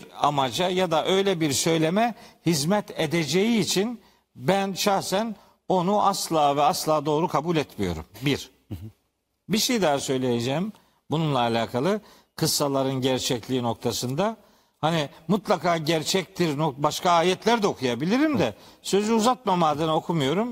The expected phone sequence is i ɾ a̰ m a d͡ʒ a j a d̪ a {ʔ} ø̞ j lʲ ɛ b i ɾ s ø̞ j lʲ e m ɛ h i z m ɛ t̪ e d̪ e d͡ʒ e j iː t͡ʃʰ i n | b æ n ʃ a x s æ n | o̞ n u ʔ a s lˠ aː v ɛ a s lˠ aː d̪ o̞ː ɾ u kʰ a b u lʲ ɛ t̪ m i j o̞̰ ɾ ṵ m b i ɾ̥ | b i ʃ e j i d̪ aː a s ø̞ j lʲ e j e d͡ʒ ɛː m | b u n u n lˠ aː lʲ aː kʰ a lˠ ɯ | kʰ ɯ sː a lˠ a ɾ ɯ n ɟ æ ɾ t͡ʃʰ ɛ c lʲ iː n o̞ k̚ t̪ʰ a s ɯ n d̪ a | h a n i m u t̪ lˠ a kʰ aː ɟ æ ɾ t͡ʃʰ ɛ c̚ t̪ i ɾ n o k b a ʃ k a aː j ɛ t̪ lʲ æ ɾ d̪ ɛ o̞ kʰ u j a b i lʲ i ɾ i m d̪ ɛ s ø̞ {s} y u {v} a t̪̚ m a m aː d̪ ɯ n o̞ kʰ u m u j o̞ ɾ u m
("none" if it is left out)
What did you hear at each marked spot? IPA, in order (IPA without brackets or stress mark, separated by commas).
ʔ, z, z